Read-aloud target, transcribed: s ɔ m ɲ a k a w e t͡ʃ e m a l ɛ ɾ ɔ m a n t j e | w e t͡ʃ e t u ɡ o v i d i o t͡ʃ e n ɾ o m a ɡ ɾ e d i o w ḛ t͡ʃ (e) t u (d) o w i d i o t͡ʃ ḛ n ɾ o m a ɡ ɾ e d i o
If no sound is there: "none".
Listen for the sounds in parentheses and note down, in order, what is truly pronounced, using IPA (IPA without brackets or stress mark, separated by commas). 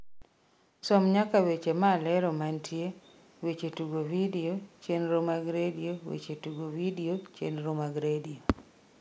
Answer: e, ɡ